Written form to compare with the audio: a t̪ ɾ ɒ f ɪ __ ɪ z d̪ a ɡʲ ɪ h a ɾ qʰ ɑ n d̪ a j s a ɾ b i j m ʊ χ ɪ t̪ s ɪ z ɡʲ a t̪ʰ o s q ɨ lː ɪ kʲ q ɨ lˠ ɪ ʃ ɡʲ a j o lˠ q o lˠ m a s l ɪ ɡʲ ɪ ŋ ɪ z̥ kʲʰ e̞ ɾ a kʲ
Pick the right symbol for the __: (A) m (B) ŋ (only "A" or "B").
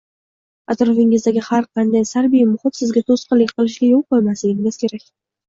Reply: B